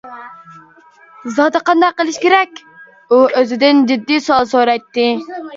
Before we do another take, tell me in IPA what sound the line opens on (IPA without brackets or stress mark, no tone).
z